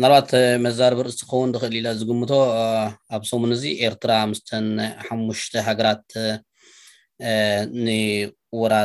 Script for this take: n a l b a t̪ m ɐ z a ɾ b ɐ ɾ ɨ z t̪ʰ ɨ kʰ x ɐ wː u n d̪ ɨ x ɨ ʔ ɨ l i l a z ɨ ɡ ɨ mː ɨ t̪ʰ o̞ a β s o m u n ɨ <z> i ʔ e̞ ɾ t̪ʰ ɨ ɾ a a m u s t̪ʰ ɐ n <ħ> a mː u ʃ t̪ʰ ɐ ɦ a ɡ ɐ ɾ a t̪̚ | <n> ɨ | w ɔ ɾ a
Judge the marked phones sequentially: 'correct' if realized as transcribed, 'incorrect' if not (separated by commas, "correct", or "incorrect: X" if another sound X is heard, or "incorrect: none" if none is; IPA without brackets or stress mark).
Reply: correct, correct, correct